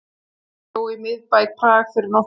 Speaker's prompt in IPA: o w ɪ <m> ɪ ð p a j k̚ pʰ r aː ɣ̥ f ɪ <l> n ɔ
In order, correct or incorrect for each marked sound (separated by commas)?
correct, incorrect